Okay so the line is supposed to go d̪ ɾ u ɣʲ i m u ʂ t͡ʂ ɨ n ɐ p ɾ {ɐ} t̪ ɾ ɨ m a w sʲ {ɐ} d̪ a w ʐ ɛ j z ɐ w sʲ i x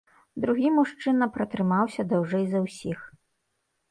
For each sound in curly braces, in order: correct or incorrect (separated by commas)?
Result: correct, correct